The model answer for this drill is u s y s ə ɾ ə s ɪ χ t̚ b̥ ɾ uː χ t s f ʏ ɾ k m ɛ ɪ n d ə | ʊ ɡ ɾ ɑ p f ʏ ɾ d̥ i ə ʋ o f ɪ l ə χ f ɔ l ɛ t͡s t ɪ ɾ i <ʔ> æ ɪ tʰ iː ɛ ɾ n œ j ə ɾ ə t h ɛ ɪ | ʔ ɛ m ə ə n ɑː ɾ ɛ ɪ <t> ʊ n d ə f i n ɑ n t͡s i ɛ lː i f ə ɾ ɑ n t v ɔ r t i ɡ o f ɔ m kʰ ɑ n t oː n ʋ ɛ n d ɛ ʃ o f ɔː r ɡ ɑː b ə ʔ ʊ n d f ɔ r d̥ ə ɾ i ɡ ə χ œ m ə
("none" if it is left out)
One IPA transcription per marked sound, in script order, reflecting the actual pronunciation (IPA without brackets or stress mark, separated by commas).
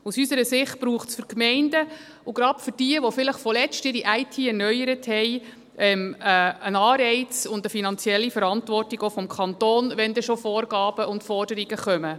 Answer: ʔ, t͡s